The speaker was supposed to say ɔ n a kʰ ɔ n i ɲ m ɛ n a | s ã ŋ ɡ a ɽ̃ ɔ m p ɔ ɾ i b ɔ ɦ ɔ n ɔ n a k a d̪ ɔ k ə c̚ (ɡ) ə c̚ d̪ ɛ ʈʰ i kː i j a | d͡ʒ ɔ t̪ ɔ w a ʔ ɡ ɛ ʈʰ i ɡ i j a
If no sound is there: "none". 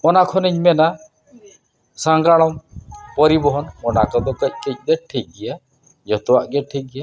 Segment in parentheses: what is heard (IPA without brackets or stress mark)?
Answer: k